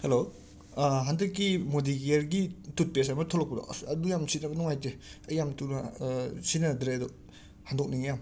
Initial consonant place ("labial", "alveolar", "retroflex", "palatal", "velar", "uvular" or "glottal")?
glottal